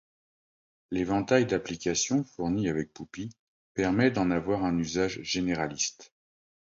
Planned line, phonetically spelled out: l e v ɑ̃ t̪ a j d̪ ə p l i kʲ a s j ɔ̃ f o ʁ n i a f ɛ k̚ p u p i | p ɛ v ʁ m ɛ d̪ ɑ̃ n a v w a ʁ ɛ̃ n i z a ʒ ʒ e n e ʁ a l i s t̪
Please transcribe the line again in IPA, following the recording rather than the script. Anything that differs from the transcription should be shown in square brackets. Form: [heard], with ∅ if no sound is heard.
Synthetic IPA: l e v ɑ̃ t̪ a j d̪ [a] p l i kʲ a s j ɔ̃ f [u] ʁ n i a [v] ɛ k̚ p u p i | p ɛ [∅] ʁ m ɛ d̪ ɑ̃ n a v w a ʁ ɛ̃ n [y] z a ʒ ʒ e n e ʁ a l i s t̪